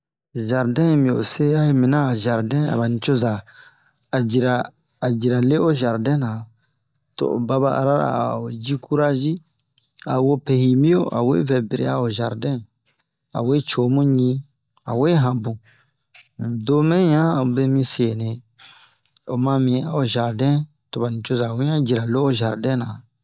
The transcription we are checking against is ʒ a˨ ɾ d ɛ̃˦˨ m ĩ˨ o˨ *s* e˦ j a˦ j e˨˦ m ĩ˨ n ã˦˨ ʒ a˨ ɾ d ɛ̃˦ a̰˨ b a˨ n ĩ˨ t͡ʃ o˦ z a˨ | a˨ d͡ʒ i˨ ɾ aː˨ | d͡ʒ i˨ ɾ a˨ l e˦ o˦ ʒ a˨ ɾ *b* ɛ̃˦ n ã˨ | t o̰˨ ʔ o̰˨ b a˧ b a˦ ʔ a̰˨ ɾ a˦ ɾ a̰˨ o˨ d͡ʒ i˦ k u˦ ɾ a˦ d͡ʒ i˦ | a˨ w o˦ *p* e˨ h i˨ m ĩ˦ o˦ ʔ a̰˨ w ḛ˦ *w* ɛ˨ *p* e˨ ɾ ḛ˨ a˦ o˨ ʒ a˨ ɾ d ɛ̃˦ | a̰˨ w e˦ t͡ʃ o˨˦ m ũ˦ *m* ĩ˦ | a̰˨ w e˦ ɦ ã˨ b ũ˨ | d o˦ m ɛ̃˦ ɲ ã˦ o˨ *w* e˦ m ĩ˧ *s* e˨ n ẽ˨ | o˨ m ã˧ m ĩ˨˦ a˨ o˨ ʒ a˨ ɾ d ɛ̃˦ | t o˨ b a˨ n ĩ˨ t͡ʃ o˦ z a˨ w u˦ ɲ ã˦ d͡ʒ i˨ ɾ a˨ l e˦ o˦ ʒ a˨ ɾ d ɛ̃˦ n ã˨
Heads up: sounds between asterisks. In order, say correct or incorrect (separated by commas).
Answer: correct, incorrect, correct, incorrect, incorrect, incorrect, incorrect, correct